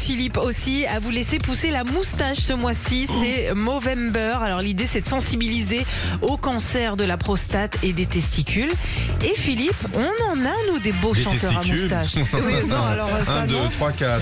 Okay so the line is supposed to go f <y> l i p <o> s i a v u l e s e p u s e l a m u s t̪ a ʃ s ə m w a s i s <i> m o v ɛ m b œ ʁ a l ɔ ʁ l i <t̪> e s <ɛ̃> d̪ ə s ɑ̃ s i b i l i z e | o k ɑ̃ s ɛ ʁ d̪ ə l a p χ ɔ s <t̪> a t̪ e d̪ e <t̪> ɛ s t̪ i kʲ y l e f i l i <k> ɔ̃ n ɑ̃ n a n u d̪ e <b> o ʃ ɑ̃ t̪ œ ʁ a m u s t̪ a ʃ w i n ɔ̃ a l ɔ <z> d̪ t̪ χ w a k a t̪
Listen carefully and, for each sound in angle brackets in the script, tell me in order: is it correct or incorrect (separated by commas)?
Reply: incorrect, correct, incorrect, incorrect, incorrect, correct, correct, incorrect, correct, incorrect